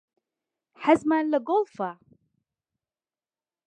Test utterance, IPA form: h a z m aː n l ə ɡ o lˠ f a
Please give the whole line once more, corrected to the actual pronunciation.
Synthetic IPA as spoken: ħ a z m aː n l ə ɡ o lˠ f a